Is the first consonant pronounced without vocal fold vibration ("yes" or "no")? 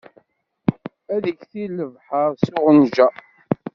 no